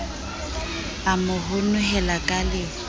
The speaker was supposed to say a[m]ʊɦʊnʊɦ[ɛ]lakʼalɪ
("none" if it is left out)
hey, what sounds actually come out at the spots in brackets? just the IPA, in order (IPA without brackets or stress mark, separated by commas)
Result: m, ɛ